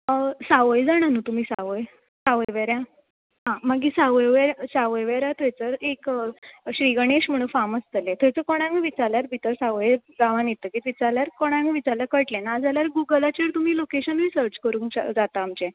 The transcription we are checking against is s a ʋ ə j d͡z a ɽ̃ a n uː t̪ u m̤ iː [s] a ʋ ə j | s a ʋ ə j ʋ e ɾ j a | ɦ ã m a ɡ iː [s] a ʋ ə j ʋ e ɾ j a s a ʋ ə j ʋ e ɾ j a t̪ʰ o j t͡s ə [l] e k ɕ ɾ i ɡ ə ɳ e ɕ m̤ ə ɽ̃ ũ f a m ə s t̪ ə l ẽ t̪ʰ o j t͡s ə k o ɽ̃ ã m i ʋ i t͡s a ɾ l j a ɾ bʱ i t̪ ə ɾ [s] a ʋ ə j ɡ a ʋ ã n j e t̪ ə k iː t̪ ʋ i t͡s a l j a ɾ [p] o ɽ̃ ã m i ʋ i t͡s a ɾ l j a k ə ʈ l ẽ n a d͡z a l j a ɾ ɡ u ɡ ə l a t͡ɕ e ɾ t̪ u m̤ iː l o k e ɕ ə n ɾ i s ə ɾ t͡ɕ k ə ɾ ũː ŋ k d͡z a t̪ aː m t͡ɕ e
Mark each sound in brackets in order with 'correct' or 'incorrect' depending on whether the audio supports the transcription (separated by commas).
correct, correct, incorrect, correct, incorrect